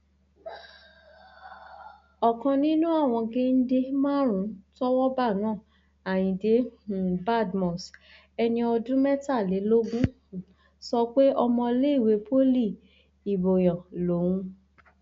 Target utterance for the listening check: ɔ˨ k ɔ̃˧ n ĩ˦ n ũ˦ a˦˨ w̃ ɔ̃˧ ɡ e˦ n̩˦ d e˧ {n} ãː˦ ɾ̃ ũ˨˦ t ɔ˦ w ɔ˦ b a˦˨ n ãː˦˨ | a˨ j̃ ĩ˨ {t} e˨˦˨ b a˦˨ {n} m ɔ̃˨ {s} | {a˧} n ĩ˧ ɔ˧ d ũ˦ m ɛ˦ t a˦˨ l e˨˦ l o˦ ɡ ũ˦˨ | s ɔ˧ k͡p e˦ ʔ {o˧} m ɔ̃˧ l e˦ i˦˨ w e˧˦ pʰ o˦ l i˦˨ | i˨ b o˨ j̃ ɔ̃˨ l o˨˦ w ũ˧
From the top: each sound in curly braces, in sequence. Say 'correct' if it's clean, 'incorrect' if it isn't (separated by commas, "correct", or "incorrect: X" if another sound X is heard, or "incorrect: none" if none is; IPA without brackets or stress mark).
incorrect: m, incorrect: d, incorrect: d, correct, incorrect: ɛ˧, incorrect: ɔ˧